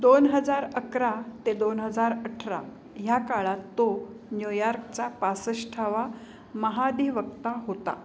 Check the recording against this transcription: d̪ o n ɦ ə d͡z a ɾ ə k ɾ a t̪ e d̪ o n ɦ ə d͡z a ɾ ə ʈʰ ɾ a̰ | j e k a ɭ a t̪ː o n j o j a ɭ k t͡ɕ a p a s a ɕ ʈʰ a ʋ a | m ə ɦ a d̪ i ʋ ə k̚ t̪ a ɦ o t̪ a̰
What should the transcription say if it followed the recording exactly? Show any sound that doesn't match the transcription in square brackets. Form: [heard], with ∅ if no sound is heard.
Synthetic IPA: d̪ o n ɦ ə d͡z a ɾ ə k ɾ a t̪ e d̪ o n ɦ ə d͡z a ɾ ə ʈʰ ɾ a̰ | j [a] k a ɭ a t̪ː o n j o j a [ɾ] k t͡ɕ a p a s [ə] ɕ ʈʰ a ʋ a | m ə ɦ a d̪ i ʋ ə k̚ t̪ a ɦ o t̪ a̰